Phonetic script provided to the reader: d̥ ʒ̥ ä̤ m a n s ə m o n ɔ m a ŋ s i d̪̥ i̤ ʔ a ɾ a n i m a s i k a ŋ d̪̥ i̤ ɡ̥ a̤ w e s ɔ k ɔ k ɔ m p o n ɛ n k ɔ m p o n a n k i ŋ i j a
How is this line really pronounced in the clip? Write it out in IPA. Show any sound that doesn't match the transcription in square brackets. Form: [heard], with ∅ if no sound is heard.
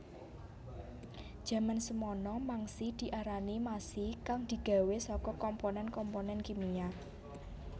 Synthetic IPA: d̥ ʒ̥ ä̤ m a n s ə m [ɔ] n ɔ m a ŋ s i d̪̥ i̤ ʔ a ɾ a n i m a s i k a ŋ d̪̥ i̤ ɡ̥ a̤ w e s ɔ k ɔ k ɔ m p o n ɛ n k ɔ m p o n [ɛ] n k i [m] i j a